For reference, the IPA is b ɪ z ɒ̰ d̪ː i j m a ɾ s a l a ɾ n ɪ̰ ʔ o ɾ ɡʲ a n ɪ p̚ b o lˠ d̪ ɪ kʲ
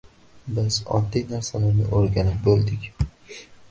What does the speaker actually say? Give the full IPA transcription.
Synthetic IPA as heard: b ɪ z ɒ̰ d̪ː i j n a ɾ s a l a ɾ n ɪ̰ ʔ o ɾ ɡʲ a n ɪ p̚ b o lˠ d̪ ɪ kʲ